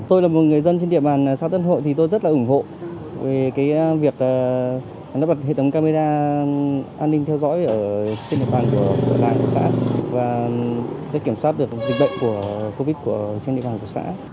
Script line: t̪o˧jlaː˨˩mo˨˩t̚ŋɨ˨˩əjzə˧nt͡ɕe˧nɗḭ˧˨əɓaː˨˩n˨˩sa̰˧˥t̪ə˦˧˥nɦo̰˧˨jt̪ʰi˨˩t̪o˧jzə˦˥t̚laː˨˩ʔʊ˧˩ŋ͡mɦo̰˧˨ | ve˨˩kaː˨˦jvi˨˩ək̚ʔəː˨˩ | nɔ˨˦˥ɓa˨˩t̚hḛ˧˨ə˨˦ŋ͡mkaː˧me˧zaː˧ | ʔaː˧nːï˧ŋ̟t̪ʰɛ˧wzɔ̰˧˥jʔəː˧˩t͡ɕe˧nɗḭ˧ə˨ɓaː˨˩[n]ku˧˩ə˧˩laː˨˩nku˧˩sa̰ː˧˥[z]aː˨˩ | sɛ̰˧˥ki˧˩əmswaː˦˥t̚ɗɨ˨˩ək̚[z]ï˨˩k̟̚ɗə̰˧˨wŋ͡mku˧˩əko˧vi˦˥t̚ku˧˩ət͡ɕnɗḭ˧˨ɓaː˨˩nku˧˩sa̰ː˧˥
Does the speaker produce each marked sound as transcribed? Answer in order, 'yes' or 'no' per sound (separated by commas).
yes, no, yes